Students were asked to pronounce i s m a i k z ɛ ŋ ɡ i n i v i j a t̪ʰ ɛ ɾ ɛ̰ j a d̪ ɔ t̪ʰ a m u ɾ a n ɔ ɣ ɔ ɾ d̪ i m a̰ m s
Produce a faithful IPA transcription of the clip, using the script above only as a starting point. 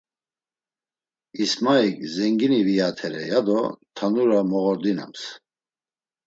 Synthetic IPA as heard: i s m a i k z ɛ ŋ ɡ i n i v i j a t̪ʰ ɛ ɾ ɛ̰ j a d̪ ɔ t̪ʰ a n u ɾ a m ɔ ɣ ɔ ɾ d̪ i n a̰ m s